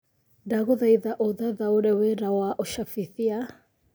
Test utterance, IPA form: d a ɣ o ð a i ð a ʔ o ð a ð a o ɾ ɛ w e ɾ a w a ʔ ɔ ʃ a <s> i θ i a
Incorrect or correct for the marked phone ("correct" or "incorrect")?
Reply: incorrect